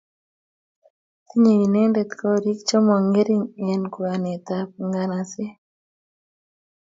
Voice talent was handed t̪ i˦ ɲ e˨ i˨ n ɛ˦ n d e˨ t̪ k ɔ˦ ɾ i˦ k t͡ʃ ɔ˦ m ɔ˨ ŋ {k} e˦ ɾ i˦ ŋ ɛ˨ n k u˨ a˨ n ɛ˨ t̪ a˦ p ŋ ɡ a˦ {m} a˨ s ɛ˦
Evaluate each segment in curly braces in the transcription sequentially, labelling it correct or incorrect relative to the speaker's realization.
incorrect, incorrect

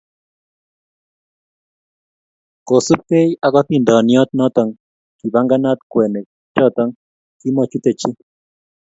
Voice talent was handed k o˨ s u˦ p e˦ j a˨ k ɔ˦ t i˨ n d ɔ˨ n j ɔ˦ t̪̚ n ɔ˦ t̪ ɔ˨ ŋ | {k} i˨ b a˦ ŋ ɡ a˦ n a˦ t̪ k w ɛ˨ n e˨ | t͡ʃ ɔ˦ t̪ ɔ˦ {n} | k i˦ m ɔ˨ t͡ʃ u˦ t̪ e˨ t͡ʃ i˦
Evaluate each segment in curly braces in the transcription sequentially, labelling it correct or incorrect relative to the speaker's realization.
correct, incorrect

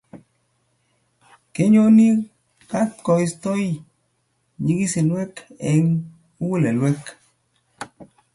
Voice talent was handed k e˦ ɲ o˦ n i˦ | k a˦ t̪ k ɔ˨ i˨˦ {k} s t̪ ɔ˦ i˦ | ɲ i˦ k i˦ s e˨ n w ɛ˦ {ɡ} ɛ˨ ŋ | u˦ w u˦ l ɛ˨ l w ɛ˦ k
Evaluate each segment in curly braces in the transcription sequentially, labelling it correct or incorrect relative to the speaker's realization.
incorrect, incorrect

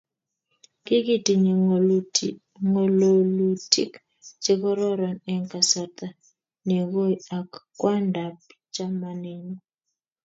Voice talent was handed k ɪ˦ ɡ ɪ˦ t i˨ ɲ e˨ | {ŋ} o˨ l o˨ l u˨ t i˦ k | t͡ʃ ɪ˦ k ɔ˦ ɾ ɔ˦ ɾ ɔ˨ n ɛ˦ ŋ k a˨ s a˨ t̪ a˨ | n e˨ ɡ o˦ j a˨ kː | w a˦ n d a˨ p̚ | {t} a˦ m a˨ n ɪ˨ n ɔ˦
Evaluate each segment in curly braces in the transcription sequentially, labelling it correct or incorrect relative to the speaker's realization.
correct, incorrect

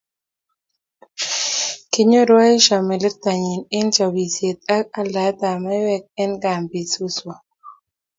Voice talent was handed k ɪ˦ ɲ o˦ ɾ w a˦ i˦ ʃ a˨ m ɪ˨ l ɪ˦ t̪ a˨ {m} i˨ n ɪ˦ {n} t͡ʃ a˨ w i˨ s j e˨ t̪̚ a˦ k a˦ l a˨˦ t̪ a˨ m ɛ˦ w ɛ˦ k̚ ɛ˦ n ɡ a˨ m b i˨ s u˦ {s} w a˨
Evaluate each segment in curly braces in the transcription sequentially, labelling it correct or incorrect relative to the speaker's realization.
incorrect, correct, correct

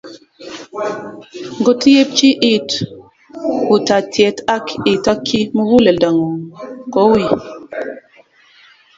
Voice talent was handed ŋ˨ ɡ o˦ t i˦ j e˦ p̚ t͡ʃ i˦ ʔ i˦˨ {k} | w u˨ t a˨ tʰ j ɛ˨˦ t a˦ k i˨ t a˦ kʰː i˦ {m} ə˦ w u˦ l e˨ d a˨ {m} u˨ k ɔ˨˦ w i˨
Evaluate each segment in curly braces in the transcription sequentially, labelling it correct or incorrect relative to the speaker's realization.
incorrect, correct, incorrect

